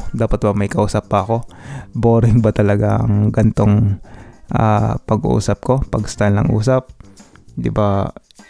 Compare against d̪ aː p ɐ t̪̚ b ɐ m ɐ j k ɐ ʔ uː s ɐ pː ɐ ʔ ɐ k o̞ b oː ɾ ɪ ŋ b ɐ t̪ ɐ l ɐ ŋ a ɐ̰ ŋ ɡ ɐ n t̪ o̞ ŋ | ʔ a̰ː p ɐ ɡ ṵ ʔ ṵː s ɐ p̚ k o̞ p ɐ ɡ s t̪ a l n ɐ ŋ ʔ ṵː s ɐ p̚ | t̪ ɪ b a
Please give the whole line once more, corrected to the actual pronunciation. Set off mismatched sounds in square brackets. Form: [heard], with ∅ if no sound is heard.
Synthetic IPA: d̪ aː p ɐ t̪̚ b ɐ m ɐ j k ɐ ʔ uː s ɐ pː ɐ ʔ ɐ k o̞ b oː ɾ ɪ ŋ b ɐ t̪ ɐ l ɐ [ɡ] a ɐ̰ ŋ ɡ ɐ n t̪ o̞ ŋ | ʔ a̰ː p ɐ ɡ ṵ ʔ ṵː s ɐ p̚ k o̞ p ɐ ɡ s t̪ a l n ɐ ŋ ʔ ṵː s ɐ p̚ | [d̪] ɪ b a